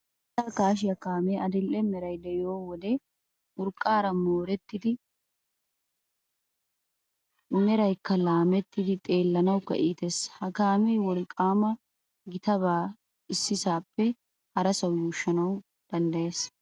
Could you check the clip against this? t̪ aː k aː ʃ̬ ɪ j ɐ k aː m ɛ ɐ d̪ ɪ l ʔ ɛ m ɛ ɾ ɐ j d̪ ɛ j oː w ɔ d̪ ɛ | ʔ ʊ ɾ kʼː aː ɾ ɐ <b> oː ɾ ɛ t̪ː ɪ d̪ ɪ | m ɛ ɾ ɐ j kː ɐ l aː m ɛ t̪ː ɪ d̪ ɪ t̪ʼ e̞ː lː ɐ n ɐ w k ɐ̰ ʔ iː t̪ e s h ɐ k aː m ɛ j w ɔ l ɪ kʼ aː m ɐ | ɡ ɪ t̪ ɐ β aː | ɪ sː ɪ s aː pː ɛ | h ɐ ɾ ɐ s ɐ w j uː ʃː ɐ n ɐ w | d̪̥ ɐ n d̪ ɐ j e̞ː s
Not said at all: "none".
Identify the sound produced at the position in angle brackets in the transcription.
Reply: m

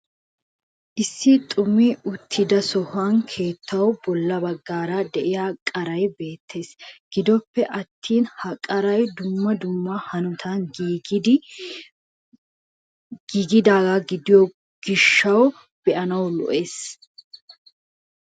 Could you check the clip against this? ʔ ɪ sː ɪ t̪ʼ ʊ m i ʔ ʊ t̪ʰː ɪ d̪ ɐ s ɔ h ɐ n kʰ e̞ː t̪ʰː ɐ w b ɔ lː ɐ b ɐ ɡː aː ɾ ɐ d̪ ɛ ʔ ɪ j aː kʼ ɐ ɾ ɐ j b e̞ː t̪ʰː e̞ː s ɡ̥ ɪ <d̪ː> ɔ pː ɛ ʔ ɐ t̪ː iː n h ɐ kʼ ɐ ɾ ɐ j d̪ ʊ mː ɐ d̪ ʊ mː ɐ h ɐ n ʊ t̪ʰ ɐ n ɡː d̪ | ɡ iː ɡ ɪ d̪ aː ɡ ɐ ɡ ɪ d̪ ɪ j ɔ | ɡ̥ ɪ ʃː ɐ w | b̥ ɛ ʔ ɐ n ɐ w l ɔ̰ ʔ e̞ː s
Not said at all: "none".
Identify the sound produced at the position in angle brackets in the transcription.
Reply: d̪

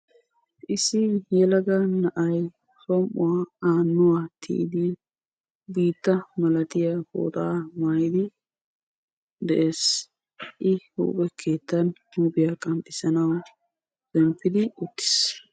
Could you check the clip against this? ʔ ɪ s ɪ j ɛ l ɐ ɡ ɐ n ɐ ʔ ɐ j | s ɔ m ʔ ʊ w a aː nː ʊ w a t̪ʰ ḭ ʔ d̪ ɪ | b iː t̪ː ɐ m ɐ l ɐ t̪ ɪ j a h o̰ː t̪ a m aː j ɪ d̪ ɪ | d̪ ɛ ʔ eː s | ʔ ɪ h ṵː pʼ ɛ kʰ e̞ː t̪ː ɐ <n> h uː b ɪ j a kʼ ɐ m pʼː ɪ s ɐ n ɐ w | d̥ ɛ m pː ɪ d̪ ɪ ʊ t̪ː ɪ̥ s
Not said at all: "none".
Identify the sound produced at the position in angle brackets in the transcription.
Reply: n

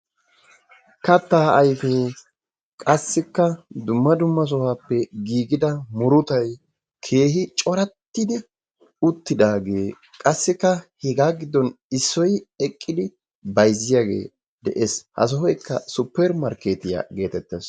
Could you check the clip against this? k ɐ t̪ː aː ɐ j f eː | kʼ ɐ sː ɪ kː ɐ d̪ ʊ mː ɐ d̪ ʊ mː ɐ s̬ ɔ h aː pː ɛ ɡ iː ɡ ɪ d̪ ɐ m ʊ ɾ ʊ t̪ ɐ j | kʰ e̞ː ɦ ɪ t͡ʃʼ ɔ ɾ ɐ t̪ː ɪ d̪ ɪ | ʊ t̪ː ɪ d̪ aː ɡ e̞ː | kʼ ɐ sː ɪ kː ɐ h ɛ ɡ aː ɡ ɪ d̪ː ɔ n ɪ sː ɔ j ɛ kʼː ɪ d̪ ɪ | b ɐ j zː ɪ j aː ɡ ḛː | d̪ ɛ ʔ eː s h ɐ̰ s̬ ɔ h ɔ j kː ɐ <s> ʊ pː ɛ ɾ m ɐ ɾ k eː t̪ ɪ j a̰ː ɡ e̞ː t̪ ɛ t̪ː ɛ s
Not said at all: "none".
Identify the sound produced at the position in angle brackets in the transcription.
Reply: s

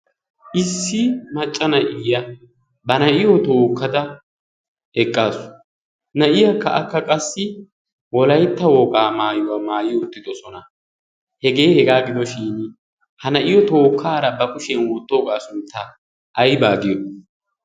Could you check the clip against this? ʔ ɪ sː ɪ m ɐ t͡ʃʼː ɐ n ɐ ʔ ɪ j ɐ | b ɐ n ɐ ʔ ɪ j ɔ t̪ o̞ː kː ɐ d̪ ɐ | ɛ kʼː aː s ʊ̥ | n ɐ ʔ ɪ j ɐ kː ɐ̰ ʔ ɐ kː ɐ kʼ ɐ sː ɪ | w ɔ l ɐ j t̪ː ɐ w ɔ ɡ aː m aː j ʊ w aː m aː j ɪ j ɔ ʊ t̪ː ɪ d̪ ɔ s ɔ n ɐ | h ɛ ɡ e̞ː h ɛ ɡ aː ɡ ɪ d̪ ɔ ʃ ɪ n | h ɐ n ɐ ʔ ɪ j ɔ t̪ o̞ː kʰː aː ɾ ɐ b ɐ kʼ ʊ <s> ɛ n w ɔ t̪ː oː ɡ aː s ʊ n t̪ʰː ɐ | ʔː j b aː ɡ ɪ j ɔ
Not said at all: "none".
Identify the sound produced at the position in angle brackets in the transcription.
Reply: ʃ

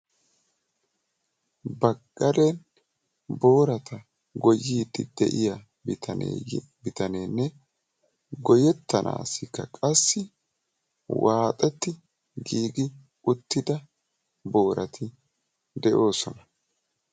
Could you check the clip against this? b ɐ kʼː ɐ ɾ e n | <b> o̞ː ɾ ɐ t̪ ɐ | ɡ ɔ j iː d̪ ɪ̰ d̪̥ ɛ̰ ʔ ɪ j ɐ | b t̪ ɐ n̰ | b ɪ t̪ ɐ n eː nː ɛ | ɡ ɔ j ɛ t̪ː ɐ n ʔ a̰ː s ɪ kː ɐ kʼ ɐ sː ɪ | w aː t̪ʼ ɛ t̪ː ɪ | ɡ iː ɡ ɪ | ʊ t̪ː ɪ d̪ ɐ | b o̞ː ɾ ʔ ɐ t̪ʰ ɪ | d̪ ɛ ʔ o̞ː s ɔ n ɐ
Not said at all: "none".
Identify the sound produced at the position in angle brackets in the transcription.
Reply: b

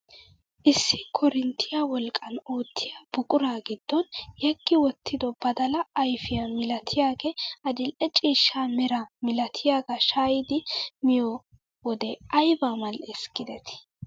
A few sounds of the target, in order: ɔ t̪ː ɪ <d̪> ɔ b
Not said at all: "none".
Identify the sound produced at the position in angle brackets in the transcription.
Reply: d̪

